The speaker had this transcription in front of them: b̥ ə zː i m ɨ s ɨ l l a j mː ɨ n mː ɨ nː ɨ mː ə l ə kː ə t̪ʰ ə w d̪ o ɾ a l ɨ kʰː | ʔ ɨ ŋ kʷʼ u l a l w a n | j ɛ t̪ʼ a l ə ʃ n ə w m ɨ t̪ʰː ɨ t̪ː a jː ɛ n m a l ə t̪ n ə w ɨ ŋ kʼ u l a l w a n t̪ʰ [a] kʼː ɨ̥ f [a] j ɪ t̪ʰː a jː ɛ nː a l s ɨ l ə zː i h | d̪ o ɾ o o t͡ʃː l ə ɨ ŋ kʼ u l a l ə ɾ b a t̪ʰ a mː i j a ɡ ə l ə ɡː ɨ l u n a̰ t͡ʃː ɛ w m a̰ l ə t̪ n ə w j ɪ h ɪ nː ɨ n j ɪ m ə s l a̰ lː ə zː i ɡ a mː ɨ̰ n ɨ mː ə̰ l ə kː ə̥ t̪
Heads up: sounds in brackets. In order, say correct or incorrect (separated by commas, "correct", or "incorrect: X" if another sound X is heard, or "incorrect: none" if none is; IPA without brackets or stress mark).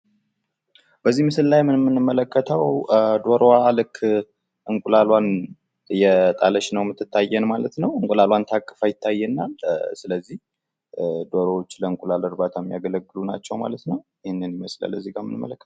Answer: correct, correct